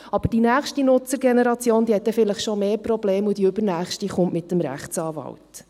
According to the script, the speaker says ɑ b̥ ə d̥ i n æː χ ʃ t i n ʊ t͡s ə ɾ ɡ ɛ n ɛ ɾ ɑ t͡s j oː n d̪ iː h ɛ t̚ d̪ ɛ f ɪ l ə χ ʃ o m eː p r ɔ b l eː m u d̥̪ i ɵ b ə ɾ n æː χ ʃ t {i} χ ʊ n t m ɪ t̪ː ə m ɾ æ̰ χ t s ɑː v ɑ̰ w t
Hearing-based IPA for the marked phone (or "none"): i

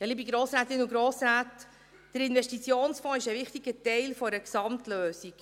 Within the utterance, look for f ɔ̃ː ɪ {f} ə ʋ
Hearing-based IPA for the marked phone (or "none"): ʃ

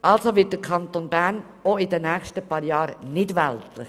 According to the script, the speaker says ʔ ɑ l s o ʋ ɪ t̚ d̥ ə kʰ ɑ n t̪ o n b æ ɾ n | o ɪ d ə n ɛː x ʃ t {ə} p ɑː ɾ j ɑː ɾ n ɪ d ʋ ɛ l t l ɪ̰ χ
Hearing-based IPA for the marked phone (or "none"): ə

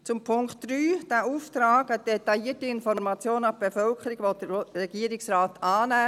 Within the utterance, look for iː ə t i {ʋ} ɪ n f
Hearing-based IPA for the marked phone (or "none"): none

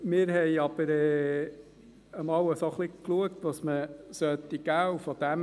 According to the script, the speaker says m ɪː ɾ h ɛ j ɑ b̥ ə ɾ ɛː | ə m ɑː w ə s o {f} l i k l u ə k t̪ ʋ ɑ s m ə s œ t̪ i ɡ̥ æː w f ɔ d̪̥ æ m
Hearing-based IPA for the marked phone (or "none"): χ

